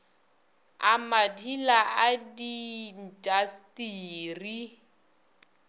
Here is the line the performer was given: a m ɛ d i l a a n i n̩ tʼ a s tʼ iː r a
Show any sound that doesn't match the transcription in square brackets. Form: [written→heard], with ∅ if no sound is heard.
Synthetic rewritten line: a m [ɛ→a] d i l a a [n→d] i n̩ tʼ a s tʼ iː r [a→i]

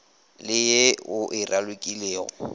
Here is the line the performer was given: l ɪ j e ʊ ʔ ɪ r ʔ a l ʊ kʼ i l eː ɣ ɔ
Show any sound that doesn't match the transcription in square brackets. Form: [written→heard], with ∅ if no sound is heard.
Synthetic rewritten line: l ɪ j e ʊ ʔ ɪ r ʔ a l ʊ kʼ i l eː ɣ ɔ

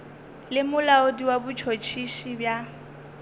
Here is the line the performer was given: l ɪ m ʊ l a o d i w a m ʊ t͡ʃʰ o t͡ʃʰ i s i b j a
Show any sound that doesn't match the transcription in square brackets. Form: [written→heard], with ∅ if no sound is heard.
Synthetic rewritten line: l ɪ m ʊ l a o d i w a [m→b] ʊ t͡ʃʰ o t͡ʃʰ i [s→ʃ] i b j a

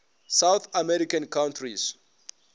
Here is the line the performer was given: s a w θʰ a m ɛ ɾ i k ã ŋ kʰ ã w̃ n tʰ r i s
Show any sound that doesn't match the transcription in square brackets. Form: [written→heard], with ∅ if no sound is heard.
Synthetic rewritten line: s a w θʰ a m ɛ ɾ i k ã [ŋ→n] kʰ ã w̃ n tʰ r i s

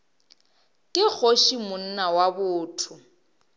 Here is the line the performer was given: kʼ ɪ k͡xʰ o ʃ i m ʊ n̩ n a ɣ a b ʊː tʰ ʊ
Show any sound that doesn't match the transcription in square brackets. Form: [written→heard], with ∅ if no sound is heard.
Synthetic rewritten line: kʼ ɪ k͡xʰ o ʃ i m ʊ n̩ n a [ɣ→w] a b ʊː tʰ ʊ

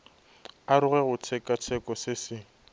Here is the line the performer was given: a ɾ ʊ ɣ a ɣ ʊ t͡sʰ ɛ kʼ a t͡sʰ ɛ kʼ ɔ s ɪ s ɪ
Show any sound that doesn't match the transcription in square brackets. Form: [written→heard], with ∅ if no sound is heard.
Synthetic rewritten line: a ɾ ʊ ɣ [a→ɛ] ɣ ʊ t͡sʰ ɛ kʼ a t͡sʰ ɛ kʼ ɔ s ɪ s ɪ

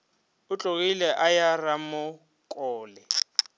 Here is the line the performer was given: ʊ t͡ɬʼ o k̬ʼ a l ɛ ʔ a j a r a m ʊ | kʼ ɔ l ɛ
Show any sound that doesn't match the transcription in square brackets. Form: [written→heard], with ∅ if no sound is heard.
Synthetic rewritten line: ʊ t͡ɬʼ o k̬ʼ [a→i] l ɛ ʔ a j a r a m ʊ | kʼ [ɔ→ɔː] l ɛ

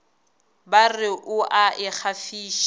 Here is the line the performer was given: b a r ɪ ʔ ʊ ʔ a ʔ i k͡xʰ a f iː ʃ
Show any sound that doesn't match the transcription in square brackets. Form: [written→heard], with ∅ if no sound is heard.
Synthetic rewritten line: b a r ɪ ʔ ʊ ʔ a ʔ [i→ɪ] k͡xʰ a f iː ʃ

